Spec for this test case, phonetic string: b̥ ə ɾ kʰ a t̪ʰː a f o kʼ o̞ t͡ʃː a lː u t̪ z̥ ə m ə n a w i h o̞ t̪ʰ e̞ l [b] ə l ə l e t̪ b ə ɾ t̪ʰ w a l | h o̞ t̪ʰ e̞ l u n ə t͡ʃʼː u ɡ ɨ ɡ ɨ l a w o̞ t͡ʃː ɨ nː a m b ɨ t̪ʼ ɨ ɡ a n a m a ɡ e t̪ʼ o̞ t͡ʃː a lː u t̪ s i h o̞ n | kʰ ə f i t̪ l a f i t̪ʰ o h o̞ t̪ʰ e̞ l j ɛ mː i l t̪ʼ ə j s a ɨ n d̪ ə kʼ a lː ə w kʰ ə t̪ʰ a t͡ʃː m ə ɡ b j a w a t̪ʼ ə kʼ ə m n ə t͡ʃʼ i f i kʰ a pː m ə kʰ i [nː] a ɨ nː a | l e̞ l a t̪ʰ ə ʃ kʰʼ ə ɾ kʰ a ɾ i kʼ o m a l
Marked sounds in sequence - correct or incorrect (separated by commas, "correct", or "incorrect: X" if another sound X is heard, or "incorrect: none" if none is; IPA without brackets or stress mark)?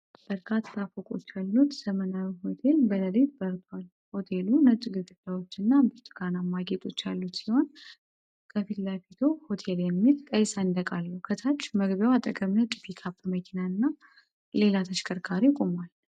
correct, incorrect: n